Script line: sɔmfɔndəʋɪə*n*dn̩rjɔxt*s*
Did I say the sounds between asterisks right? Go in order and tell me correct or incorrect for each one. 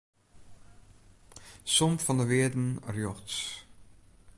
incorrect, correct

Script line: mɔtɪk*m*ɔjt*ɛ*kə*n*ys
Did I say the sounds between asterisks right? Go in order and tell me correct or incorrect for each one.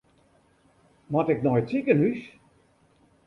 incorrect, incorrect, correct

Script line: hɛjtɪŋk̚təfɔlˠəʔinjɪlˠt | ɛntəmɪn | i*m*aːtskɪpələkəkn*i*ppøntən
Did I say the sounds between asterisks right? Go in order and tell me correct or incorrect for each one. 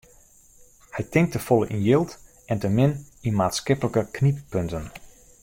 correct, correct

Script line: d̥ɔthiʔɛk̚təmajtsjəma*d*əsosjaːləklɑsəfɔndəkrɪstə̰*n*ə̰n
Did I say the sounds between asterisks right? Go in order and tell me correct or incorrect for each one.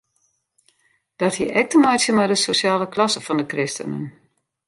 correct, correct

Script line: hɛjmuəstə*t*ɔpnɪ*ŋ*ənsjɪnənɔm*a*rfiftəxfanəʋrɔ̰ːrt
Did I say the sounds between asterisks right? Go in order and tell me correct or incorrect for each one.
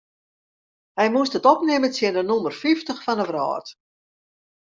correct, incorrect, incorrect

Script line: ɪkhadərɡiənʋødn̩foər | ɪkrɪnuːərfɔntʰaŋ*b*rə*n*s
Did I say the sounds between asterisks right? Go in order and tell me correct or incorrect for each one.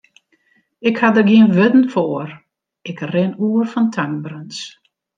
correct, correct

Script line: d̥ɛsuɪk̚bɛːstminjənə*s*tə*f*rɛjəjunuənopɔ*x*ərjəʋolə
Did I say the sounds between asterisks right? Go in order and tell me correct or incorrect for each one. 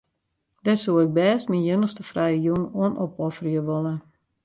correct, correct, incorrect

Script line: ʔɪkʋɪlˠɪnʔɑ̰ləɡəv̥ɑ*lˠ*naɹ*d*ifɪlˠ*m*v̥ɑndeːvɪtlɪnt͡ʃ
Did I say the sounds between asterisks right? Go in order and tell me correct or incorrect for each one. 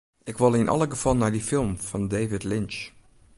correct, correct, correct

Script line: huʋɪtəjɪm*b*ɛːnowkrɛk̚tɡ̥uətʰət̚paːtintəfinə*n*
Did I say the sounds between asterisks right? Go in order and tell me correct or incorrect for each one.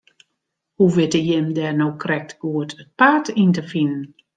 incorrect, correct

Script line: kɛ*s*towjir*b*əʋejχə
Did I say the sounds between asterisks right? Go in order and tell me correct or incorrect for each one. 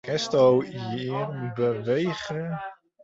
correct, correct

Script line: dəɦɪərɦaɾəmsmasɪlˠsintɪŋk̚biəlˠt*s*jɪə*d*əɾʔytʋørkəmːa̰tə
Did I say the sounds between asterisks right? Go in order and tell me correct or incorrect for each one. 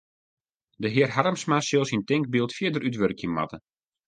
incorrect, correct

